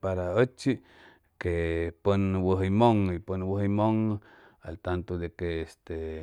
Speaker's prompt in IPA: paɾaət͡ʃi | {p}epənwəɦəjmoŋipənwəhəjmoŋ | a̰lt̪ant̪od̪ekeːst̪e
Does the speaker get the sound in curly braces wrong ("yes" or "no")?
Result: yes